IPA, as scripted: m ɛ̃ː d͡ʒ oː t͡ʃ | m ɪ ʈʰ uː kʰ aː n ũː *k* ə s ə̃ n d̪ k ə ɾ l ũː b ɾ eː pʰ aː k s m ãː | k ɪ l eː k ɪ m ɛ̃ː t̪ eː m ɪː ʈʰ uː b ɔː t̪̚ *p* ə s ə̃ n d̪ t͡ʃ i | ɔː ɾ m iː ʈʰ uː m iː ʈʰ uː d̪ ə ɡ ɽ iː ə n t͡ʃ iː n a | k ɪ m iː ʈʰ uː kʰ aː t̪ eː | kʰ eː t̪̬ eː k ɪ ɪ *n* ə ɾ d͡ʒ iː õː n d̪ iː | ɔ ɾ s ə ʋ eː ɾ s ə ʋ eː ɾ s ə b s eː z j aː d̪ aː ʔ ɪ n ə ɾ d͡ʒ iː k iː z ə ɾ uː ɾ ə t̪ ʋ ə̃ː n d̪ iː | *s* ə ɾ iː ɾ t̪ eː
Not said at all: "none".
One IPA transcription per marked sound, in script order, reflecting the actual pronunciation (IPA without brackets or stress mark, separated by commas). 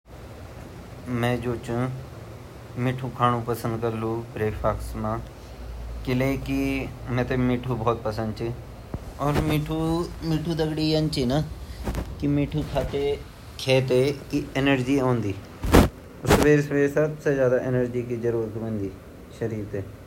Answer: p, p, n, ʃ